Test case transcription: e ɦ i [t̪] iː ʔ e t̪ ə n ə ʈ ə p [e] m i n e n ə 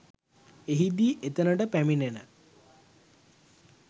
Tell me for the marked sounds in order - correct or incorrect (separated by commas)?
incorrect, incorrect